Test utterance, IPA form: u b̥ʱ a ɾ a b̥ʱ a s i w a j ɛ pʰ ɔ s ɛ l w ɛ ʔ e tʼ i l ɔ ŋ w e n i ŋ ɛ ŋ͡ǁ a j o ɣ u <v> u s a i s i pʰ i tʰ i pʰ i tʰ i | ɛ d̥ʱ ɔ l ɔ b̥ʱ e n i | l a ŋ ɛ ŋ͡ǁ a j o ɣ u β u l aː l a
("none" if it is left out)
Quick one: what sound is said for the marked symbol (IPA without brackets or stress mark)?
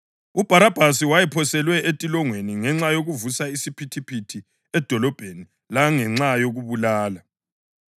v